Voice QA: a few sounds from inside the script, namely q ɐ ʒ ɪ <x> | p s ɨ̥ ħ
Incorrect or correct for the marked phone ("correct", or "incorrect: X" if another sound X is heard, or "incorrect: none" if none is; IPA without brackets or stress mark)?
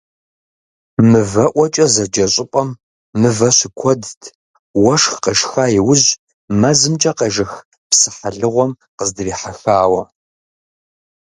correct